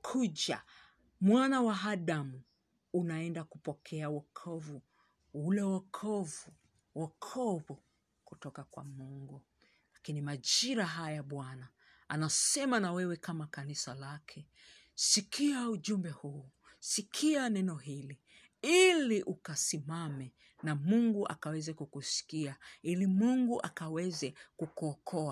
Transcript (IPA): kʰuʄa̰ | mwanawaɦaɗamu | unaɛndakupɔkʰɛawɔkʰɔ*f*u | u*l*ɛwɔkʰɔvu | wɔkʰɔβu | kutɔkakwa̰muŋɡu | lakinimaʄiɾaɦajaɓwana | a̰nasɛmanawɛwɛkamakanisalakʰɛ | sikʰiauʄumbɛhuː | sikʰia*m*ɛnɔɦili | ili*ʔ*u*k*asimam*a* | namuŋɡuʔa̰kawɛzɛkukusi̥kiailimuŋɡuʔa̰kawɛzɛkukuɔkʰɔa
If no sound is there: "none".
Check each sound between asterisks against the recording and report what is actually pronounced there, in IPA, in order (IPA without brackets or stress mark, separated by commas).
v, l, n, ʔ, k, ɛ